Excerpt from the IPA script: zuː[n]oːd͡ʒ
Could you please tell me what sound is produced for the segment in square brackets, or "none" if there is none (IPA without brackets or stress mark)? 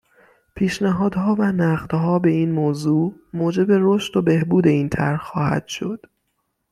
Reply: m